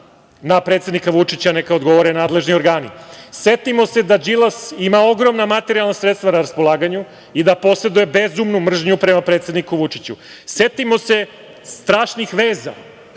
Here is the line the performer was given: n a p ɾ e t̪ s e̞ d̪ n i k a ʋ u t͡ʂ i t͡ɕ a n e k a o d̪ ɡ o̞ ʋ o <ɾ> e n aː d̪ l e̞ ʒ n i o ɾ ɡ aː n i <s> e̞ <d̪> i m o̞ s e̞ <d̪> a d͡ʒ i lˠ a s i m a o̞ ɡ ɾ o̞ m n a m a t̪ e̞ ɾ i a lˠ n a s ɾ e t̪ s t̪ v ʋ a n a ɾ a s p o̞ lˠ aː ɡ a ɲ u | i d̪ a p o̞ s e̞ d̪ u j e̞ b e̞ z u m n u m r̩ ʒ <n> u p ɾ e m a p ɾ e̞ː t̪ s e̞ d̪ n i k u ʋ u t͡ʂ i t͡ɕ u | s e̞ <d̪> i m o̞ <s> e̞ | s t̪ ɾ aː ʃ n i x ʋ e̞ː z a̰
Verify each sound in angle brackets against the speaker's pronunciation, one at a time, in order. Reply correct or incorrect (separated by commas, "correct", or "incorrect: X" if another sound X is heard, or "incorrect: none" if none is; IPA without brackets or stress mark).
correct, correct, incorrect: t̪, correct, incorrect: ɲ, incorrect: t̪, correct